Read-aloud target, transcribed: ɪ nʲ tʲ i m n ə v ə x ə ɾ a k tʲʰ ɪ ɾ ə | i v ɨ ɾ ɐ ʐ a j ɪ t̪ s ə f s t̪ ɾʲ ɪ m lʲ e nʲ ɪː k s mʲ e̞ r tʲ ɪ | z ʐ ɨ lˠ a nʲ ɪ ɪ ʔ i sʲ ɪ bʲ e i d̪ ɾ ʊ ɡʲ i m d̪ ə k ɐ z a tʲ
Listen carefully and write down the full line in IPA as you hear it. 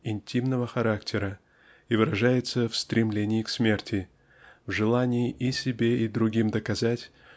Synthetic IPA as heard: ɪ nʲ tʲ i m n ə v ə x ɐ ɾ a k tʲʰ ɪ ɾ ə | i v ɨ ɾ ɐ ʐ a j ɪ t̪ s ə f s t̪ ɾʲ ɪ m lʲ e nʲ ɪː k s mʲ e̞ r tʲ ɪ | v ʐ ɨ lˠ a nʲ ɪ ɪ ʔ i sʲ ɪ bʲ e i d̪ ɾ ʊ ɡʲ i m d̪ ə k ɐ z a tʲ

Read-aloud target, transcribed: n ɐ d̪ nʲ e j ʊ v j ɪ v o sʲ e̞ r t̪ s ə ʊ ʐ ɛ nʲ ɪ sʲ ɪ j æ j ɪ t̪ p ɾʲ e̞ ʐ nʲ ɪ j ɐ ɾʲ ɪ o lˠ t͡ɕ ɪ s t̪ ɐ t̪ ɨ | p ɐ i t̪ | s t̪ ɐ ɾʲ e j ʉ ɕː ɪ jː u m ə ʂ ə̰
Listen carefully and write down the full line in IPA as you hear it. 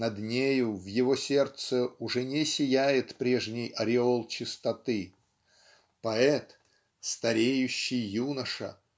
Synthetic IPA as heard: n ɐ d̪ nʲ e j ʊ v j ɪ v o sʲ e̞ r t̪ s ə ʊ ʐ ɛ nʲ ɪ sʲ ɪ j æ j ɪ t̪ p ɾʲ e̞ ʐ nʲ ɪ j ɐ ɾʲ ɪ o lˠ t͡ɕ ɪ s t̪ ɐ t̪ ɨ | p ɐ ɛ t̪ | s t̪ ɐ ɾʲ e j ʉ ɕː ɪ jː u n ə ʂ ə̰

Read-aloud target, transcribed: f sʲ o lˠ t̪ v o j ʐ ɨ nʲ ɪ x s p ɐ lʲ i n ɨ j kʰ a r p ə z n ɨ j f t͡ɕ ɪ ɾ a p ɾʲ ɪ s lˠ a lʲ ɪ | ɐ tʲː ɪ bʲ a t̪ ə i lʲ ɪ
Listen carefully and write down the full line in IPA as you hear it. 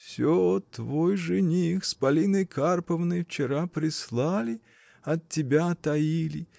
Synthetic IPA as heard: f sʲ o t̪ v o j ʐ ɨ nʲ i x s p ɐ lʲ i n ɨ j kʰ a r p ə v n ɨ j f t͡ɕ ɪ ɾ a p ɾʲ ɪ s lˠ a lʲ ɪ | ɐ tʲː ɪ bʲ a t̪ ɐ i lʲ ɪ

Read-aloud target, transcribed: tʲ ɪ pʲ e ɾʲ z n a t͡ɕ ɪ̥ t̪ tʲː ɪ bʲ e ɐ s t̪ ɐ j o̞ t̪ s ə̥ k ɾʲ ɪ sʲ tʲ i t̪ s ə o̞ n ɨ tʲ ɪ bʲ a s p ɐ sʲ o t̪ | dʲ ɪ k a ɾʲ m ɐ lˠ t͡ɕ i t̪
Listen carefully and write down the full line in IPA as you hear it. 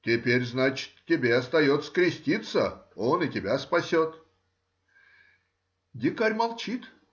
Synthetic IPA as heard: tʲ ɪ pʲ e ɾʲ z n a t͡ɕ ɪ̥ t̪ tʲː ɪ bʲ e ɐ s t̪ ɐ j o̞ t̪ s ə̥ k ɾʲ ɪ sʲ tʲ i t̪ s ə o̞ n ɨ tʲ ɪ bʲ a s p ɐ sʲ o t̪ | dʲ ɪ k a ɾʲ m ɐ lˠ t͡ɕ i t̪

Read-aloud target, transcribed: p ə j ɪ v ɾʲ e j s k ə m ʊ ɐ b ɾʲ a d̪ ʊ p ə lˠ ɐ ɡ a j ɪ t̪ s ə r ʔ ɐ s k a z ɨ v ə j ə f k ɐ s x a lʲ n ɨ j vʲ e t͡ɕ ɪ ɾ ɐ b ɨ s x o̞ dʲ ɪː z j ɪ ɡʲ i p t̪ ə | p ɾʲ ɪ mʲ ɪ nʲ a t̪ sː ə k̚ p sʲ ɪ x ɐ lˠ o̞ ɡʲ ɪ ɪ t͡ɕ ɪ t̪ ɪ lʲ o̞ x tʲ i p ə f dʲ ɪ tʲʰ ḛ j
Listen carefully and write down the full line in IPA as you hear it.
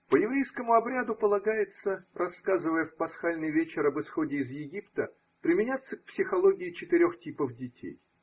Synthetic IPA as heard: p ə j ɪ v ɾʲ e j s k ə m ʊ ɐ b ɾʲ a d̪ ʊ p ə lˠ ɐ ɡ a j ɪ t̪ s ə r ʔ ɐ s k a z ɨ v ə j ə f p ɐ s x a lʲ n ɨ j vʲ e t͡ɕ ɪ ɾ ɐ b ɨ s x o̞ dʲ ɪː z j ɪ ɡʲ i p t̪ ə | p ɾʲ ɪ mʲ ɪ nʲ a t̪ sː ə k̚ p sʲ ɪ x ɐ lˠ o̞ ɡʲ ɪ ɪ t͡ɕ ɪ t̪ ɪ ɾʲ o̞ x tʲ i p ə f dʲ ɪ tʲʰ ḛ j

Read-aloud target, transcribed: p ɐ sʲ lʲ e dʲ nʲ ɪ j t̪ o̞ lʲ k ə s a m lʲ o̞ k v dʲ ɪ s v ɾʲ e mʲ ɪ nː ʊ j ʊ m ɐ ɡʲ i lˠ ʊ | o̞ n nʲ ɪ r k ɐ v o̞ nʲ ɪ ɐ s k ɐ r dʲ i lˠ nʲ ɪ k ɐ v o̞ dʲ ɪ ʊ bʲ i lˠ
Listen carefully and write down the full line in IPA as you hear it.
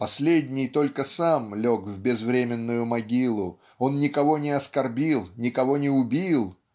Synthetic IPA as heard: p ɐ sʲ lʲ e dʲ nʲ ɪ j t̪ o̞ lʲ k ə s a m lʲ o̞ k v bʲ ɪ z v ɾʲ e mʲ ɪ nː ʊ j ʊ m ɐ ɡʲ i lˠ ʊ | o̞ n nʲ ɪ k ɐ v o̞ nʲ ɪ ɐ s k ɐ r bʲ i lˠ nʲ ɪ k ɐ v o̞ nʲ ɪ ʊ bʲ i lˠ

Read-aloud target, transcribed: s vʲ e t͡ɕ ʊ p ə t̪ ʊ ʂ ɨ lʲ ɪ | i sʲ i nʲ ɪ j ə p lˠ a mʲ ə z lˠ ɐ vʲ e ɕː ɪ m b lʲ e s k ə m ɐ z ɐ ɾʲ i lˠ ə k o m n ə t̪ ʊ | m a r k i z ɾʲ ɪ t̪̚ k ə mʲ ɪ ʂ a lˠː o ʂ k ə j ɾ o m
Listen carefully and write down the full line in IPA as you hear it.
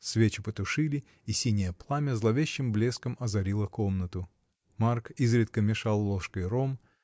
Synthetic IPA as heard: s vʲ e t͡ɕ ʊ p ə t̪ ʊ ʂ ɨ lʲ ɪ | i sʲ i nʲ ɪ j ə p lˠ a mʲ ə z lˠ ɐ vʲ e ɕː ɪ m b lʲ e s k ə m ɐ z ɐ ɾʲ i lˠ ə k o m n ə t̪ ʊ | m a r k i z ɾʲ ɪ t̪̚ k ə mʲ ɪ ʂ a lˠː o ʂ k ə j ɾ o m

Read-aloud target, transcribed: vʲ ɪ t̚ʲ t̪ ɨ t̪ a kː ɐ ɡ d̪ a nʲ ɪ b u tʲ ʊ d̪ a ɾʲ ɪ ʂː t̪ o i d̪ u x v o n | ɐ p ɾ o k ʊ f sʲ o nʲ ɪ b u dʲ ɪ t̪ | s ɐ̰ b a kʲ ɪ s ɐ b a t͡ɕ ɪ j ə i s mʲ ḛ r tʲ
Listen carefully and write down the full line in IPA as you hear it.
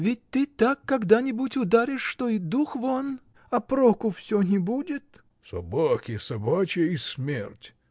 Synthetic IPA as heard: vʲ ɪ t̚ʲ t̪ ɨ t̪ a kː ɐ ɡ d̪ a nʲ ɪ b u tʲ ʊ d̪ a ɾʲ ɪ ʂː t̪ o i d̪ u x v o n | ɐ p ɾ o k ʊ f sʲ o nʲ ɪ b u dʲ ɪ t̪ | s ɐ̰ b a kʲ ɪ s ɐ b a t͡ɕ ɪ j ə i s mʲ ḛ r tʲ

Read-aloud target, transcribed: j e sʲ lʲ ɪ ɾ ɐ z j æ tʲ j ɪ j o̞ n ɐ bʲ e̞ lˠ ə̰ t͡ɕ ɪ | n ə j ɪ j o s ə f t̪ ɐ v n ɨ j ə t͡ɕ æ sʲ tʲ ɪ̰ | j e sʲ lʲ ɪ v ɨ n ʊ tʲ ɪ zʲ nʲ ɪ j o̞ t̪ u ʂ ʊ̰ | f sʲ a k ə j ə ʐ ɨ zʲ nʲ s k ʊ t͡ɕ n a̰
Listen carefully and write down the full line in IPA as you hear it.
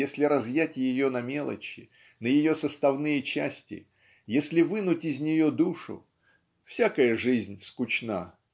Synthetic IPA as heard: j e sʲ lʲ ɪ ɾ ɐ z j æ tʲ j ɪ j o̞ n ɐ mʲ e̞ lˠ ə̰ t͡ɕ ɪ | n ə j ɪ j o s ə s t̪ ɐ v n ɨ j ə t͡ɕ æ sʲ tʲ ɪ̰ | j e sʲ lʲ ɪ v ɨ n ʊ tʲ ɪ zʲ nʲ ɪ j o̞ d̪ u ʂ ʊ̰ | f sʲ a k ə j ə ʐ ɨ zʲ nʲ s k ʊ t͡ɕ n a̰

